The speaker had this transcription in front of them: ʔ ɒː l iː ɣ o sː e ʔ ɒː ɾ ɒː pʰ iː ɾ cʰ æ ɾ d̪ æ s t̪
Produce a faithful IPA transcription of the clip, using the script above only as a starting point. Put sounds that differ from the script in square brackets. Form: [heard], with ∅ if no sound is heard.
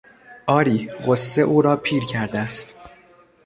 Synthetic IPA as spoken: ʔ ɒː [ɾ] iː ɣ o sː e ʔ [uː] ɾ ɒː pʰ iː ɾ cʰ æ ɾ d̪ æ s t̪